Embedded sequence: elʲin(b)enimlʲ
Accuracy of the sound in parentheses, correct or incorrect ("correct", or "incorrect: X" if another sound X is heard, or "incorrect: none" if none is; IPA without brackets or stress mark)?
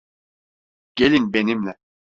correct